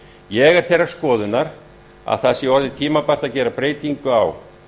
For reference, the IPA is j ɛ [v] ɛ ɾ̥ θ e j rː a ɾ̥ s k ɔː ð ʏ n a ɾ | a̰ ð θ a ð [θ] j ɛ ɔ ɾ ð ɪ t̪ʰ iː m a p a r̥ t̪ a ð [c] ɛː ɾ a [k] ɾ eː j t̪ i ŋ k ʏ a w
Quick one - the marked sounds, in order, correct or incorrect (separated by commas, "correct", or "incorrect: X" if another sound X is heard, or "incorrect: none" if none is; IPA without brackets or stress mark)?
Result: incorrect: ɣ, incorrect: s, correct, incorrect: p